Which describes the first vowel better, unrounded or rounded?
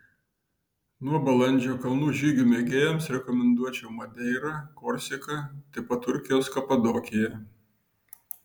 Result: rounded